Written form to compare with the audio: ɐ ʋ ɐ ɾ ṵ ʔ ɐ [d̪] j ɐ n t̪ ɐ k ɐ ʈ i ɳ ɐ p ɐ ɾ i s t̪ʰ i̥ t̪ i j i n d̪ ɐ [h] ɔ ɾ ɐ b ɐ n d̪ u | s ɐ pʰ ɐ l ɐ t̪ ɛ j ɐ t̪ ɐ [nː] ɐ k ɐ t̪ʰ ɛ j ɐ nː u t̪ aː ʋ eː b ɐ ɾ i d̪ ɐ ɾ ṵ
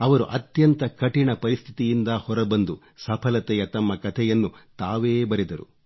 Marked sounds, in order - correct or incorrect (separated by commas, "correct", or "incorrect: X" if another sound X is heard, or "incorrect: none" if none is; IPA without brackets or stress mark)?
incorrect: t̪, correct, incorrect: mː